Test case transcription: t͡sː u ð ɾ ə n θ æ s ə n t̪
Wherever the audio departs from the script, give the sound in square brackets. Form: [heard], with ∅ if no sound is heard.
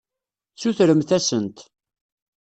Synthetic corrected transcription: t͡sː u [θ] ɾ ə [m] θ æ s ə n t̪